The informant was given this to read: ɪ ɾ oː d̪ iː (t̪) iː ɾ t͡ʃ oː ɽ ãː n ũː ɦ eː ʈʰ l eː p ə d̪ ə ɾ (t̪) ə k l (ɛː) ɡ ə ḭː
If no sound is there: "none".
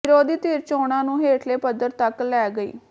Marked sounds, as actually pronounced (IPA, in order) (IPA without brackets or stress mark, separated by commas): t̪, t̪, ɛː